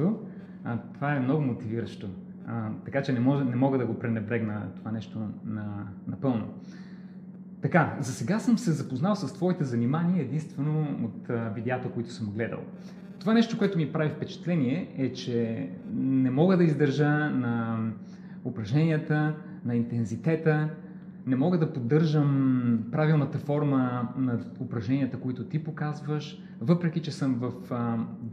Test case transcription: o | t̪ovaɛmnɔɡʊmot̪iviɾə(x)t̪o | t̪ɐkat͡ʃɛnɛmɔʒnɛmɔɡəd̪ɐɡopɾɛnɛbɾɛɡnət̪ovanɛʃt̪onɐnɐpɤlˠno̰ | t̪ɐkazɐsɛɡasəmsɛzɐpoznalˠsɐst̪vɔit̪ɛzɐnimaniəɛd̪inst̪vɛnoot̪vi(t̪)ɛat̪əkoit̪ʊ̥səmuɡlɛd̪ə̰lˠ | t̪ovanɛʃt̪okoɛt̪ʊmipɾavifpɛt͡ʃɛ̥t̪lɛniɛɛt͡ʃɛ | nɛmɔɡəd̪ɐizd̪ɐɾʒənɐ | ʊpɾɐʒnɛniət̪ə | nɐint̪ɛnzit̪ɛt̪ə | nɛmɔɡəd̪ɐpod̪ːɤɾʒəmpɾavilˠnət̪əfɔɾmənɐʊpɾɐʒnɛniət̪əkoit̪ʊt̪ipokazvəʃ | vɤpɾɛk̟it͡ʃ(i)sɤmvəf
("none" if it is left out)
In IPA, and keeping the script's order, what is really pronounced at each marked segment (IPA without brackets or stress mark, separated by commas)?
ʃ, d̪, ɛ